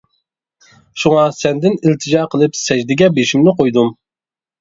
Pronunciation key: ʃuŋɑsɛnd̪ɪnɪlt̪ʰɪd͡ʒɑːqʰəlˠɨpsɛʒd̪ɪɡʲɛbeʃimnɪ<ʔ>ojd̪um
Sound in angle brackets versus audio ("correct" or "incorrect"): incorrect